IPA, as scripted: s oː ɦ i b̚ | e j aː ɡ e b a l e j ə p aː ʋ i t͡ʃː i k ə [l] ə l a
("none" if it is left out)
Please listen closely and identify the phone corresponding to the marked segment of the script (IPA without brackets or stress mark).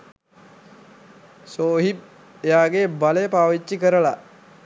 ɾ